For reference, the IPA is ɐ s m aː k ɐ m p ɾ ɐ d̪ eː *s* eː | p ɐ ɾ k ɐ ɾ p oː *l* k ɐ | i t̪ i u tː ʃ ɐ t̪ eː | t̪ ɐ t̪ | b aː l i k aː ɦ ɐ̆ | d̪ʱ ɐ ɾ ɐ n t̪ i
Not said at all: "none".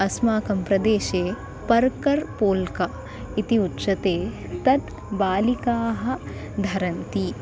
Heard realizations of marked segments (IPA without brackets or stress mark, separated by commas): ʃ, l